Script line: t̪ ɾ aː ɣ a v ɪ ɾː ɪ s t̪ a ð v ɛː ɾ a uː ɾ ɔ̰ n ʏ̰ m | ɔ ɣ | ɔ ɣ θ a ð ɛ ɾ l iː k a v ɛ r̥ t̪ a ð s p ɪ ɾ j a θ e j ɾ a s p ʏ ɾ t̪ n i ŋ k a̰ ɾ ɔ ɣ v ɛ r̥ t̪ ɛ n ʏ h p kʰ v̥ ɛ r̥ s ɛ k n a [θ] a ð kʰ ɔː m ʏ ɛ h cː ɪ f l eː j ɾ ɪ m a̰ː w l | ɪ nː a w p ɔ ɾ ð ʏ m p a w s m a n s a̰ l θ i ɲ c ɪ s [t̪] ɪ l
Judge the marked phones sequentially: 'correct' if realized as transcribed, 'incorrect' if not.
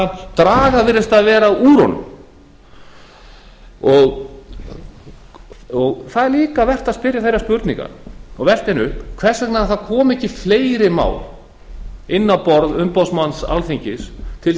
correct, incorrect

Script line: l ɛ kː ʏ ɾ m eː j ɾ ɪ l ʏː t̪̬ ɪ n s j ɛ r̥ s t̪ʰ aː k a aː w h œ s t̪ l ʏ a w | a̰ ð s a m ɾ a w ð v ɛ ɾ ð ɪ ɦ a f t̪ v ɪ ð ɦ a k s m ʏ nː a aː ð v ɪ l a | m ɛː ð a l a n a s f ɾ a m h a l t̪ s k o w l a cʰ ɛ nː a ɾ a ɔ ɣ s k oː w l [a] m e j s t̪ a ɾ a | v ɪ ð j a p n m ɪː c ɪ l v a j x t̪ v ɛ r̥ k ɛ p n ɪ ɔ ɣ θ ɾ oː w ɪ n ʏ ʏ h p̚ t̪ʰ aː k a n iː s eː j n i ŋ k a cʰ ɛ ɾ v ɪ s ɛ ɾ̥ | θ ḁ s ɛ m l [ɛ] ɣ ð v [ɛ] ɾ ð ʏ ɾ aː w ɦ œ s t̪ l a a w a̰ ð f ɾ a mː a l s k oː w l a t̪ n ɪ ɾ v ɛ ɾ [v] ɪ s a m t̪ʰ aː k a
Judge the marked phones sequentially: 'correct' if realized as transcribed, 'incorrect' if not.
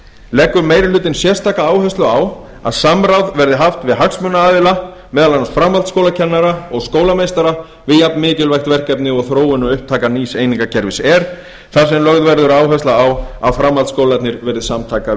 correct, incorrect, correct, incorrect

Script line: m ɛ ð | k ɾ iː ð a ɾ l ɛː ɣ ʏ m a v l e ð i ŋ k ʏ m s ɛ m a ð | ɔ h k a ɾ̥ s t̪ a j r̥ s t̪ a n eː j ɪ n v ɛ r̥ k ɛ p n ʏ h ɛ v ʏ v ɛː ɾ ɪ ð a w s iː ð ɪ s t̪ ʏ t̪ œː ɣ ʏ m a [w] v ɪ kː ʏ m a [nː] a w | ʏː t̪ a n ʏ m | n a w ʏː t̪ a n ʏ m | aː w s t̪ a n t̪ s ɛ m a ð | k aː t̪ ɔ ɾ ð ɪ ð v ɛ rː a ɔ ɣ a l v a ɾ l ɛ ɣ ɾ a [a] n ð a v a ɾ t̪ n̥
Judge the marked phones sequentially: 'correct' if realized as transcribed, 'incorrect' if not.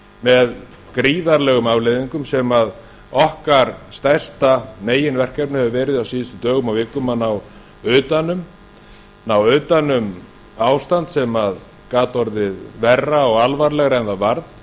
correct, incorrect, incorrect

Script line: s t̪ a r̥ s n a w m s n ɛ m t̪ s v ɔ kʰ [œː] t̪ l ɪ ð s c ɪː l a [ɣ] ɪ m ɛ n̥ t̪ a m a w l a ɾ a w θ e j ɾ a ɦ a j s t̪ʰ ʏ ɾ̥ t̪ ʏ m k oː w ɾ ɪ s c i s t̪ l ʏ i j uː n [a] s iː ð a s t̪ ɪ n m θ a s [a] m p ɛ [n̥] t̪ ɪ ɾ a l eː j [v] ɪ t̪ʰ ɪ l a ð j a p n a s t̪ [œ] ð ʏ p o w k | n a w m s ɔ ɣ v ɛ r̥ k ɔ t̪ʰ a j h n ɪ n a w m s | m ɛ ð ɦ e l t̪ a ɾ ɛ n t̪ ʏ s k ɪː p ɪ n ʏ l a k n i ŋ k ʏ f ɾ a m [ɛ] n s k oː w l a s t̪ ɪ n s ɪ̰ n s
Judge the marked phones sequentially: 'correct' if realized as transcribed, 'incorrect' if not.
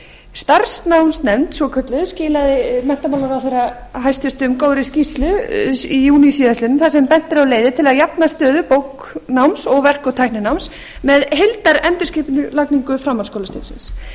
incorrect, incorrect, incorrect, incorrect, correct, incorrect, incorrect, incorrect

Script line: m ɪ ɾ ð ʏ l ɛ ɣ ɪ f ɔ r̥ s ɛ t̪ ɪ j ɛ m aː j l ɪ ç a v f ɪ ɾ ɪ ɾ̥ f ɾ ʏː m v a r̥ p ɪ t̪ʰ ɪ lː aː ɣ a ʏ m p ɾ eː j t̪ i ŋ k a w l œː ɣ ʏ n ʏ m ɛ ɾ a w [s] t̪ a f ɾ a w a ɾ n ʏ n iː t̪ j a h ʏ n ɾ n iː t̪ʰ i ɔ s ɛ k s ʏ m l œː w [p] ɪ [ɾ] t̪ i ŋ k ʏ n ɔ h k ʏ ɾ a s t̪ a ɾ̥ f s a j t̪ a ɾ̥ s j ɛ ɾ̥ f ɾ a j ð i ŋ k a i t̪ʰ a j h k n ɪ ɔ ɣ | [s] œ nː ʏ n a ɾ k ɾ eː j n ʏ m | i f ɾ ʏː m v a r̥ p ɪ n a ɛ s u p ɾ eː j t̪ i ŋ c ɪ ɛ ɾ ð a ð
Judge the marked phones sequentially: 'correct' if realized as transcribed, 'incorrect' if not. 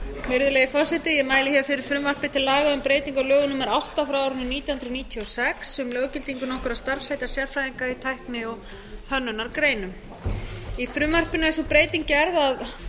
incorrect, incorrect, incorrect, incorrect

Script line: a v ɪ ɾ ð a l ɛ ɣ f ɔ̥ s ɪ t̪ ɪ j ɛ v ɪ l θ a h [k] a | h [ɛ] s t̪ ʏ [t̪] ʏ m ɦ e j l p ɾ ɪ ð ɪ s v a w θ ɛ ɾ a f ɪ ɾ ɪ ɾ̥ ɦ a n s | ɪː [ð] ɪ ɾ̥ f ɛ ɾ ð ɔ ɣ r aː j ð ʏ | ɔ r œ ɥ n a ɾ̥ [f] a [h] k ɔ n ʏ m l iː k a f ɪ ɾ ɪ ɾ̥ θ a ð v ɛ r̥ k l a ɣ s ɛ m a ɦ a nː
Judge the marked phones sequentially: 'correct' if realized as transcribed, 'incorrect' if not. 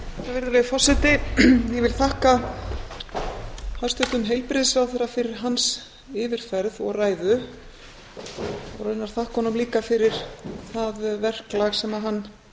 correct, incorrect, correct, incorrect, incorrect, correct

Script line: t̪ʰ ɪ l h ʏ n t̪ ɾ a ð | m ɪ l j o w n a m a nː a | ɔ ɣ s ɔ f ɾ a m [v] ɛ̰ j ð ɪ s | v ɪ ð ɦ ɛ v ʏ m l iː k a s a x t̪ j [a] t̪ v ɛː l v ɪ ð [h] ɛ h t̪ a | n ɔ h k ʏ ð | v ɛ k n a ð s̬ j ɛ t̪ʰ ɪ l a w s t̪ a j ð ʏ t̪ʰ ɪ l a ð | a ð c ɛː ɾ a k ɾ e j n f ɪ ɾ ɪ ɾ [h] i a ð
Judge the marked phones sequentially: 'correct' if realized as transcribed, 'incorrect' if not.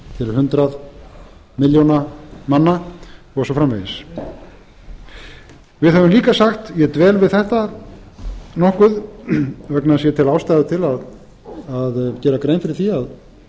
correct, incorrect, incorrect, incorrect

